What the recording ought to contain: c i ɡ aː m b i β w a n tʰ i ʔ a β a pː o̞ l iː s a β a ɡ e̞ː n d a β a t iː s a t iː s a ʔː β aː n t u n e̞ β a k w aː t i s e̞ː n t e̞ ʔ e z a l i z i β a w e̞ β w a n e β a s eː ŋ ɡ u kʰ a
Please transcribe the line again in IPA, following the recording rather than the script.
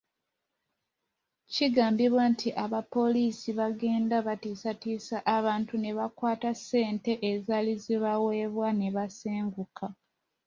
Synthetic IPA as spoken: c i ɡ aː m b i β w a n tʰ i ʔ a β a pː o̞ l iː s i β a ɡ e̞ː n d a β a t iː s a t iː s a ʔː β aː n t u n e̞ β a k w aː t a s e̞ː n t e̞ ʔ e z a l i z i β a w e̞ β w a n e β a s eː ŋ ɡ u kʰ a